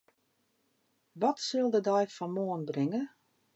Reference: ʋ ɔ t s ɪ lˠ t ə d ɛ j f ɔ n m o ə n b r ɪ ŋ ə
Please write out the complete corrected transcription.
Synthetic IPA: ʋ ɔ t s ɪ lˠ d ə d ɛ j f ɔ n m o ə n b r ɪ ŋ ə